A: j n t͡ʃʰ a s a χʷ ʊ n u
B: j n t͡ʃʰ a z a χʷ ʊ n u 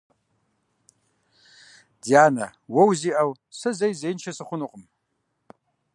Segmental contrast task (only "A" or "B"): A